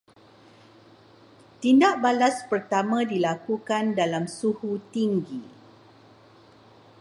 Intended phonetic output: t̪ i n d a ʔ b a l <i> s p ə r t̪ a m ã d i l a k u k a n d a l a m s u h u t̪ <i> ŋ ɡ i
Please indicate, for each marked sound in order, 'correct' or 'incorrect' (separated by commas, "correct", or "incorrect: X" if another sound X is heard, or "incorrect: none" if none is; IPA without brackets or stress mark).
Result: incorrect: a, correct